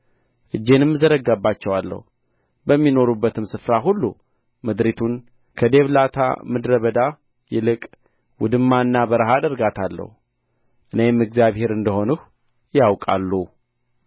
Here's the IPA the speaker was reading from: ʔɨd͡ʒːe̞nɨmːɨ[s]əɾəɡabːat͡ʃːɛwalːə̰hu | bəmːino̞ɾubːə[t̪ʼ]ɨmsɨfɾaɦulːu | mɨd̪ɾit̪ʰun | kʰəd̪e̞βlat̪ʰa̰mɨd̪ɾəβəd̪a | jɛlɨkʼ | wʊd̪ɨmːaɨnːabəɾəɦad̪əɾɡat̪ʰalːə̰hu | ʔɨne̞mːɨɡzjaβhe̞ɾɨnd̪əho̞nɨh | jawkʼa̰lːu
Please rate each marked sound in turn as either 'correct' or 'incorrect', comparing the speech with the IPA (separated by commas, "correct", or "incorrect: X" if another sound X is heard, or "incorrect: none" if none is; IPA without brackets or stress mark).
incorrect: z, incorrect: t̪